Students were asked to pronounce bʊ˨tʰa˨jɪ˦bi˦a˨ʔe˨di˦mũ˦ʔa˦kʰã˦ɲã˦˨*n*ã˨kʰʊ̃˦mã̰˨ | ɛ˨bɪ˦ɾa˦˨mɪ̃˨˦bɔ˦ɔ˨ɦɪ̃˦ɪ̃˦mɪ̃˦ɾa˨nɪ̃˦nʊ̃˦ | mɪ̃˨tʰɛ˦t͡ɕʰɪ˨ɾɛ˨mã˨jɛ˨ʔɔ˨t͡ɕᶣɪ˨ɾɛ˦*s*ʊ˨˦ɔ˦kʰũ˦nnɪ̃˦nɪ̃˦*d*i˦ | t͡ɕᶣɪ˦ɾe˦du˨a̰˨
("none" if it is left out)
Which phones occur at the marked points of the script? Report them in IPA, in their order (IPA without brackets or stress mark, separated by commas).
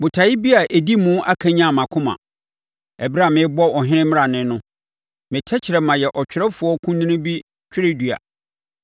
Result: m, f, b